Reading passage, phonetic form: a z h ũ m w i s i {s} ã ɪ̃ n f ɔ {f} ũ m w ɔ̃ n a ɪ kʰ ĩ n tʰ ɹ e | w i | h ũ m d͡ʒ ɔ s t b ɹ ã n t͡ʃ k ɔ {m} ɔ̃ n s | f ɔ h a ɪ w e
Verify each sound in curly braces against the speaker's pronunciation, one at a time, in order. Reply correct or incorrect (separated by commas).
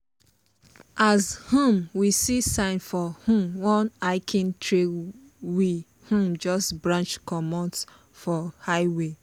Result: correct, incorrect, correct